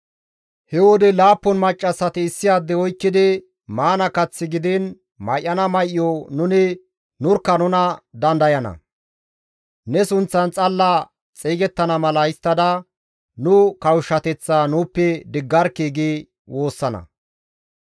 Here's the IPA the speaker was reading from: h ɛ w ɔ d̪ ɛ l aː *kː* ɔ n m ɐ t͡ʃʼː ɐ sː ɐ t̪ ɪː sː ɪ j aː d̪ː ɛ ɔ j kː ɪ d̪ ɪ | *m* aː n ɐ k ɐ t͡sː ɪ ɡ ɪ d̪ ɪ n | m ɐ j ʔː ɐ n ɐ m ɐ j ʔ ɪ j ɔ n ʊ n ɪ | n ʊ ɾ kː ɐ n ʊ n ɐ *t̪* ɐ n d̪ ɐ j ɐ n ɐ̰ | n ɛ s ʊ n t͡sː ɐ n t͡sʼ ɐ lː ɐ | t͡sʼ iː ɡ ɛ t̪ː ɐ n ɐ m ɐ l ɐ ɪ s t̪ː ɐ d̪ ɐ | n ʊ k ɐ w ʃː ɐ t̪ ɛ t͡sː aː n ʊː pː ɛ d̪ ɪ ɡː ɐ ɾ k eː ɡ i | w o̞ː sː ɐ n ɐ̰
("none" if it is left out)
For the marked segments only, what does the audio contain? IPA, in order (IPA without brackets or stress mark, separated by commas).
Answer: pː, m, d̪